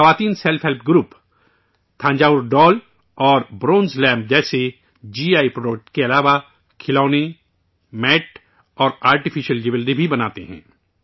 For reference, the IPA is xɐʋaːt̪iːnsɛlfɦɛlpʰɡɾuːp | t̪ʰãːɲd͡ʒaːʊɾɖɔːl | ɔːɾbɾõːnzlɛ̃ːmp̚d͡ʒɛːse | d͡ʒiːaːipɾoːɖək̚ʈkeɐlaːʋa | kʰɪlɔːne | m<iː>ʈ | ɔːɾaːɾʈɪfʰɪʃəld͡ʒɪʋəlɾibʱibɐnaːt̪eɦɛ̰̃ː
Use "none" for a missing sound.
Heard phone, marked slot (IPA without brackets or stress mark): ɛː